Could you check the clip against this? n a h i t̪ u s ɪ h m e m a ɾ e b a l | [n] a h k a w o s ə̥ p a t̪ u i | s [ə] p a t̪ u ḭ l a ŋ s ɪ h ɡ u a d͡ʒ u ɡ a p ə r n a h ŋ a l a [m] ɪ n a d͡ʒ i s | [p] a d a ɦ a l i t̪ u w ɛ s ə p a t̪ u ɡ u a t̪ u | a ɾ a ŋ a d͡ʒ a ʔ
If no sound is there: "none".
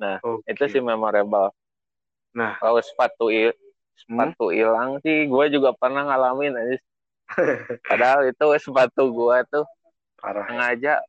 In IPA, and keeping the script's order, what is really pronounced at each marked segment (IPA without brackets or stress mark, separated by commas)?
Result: n, ə, m, p